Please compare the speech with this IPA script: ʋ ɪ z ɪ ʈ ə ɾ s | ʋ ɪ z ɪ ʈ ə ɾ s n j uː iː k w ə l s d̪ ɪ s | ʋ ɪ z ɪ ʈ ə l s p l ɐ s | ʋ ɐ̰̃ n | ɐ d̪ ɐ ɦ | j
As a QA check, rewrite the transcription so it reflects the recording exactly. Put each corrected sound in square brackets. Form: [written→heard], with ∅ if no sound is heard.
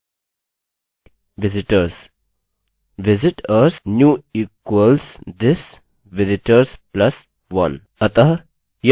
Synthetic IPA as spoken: ʋ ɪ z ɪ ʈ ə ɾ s | ʋ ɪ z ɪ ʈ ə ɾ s n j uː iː k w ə l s d̪ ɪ s | ʋ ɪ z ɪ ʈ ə [l→ɾ] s p l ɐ s | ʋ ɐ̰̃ n | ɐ [d̪→t̪] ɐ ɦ | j

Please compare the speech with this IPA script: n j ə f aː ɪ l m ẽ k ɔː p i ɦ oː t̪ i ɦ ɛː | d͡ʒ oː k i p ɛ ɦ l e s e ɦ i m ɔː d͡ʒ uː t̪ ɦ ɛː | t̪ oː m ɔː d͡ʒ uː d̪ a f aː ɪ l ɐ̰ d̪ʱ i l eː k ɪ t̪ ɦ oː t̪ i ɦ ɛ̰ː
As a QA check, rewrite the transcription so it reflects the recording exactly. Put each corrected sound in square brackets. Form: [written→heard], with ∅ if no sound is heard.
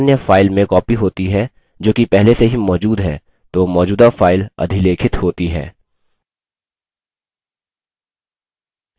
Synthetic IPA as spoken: n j ə f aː ɪ l m ẽ k ɔː p i ɦ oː t̪ i ɦ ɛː | d͡ʒ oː k i p ɛ ɦ l e s e ɦ i m ɔː d͡ʒ uː [t̪→d̪] ɦ ɛː | t̪ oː m ɔː d͡ʒ uː d̪ a f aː ɪ l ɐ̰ d̪ʱ i l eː [k→kʰ] ɪ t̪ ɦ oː t̪ i ɦ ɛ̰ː

